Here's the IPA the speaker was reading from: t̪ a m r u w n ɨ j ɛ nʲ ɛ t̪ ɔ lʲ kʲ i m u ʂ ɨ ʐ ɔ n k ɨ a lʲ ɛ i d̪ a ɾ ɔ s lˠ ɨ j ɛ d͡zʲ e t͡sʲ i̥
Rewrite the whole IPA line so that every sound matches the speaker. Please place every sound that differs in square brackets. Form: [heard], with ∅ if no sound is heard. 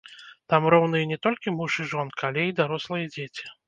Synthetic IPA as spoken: t̪ a m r [ɔ] w n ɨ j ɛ nʲ ɛ t̪ ɔ lʲ kʲ i m u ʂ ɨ ʐ ɔ n k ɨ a lʲ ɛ i d̪ a ɾ ɔ s lˠ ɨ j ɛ d͡zʲ e t͡sʲ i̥